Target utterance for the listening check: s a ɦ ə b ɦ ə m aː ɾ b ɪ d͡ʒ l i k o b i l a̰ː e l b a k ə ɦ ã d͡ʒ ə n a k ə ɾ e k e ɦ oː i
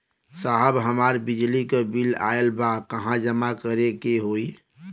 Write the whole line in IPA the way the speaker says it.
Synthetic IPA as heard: s a ɦ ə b ɦ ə m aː ɾ b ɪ d͡ʒ l i k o b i l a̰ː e l b a k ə ɦ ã d͡ʒ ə m a k ə ɾ e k e ɦ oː i